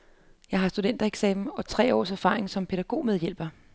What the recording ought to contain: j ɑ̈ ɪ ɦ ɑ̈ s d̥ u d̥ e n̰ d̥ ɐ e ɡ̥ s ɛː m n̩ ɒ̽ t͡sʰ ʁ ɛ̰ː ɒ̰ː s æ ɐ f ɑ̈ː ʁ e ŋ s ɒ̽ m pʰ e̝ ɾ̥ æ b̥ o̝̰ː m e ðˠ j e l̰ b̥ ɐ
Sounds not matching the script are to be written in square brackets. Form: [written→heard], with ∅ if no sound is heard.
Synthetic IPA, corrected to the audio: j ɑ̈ ɪ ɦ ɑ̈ s d̥ u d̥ e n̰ d̥ ɐ e ɡ̥ s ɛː m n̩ ɒ̽ t͡sʰ ʁ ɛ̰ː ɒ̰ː s æ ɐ f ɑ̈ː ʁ e ŋ s ɒ̽ m pʰ e̝ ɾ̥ æ [b̥→ɡ̥] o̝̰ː m e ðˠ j e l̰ b̥ ɐ